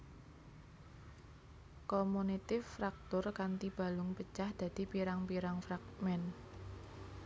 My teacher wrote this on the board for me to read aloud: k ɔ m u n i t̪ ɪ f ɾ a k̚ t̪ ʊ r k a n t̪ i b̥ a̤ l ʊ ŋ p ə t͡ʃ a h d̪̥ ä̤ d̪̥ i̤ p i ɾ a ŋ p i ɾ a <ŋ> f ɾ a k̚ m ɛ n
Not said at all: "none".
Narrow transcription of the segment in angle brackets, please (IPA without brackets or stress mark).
ŋ